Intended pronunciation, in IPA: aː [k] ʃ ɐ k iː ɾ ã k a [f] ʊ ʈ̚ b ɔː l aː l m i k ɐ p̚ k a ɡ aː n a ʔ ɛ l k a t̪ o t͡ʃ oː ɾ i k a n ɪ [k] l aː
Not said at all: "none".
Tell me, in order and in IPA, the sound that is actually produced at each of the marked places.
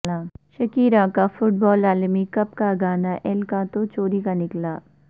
none, f, k

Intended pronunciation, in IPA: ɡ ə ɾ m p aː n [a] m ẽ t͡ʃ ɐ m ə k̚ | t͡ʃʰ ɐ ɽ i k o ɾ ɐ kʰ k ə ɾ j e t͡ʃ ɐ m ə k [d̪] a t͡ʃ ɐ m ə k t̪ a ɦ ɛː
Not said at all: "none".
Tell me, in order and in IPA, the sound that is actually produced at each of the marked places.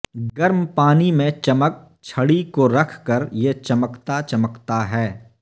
i, t̪

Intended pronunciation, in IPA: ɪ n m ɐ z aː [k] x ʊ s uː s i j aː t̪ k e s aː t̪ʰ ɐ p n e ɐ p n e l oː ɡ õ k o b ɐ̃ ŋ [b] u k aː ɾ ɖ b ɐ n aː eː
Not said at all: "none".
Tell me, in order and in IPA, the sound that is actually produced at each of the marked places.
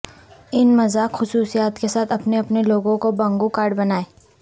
k, ɡ

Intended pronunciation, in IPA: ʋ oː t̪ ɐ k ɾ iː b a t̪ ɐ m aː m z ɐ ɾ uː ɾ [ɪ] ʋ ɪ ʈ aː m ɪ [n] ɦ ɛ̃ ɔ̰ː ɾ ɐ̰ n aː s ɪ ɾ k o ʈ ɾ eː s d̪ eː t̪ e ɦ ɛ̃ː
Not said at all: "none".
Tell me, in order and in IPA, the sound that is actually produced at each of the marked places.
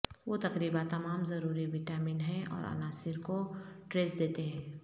i, n

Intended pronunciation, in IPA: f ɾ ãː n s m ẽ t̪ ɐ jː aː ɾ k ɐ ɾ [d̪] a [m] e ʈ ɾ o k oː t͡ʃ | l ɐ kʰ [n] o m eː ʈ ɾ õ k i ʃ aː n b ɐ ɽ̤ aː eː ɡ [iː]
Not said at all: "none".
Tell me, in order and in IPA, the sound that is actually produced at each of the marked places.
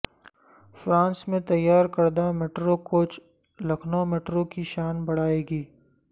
d̪, m, n, iː

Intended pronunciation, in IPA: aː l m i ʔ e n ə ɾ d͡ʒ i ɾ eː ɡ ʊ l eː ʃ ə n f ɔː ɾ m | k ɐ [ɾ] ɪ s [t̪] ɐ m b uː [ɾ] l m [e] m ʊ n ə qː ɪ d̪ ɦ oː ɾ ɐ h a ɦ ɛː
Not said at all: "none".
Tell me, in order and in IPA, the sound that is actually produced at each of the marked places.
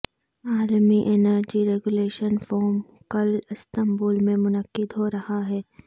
l, t̪, none, ẽ

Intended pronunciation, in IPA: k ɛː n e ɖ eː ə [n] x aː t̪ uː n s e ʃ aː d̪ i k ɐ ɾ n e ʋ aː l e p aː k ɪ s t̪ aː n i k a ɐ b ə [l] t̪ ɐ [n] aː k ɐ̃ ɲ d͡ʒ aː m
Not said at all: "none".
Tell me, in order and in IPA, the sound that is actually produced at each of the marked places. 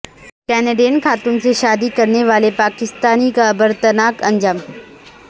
n, ɾ, n

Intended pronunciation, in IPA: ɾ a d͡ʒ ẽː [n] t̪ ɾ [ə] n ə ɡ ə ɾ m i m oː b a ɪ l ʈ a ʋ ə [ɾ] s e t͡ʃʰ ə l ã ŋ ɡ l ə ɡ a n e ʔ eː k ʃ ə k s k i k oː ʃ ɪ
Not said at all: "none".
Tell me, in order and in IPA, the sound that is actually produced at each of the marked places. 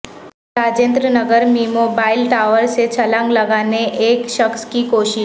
n, ə, ɾ

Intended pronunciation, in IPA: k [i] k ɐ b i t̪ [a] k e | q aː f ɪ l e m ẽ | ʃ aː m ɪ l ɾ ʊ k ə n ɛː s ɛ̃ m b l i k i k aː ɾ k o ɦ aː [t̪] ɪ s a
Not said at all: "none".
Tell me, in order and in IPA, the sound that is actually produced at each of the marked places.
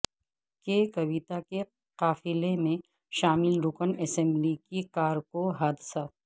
e, a, d̪

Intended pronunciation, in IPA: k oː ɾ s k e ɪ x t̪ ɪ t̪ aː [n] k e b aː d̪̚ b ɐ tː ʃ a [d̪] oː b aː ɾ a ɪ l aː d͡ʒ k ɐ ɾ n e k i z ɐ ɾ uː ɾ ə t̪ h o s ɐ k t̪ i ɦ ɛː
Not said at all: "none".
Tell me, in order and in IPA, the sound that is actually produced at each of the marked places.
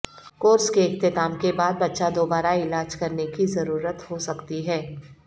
m, d̪

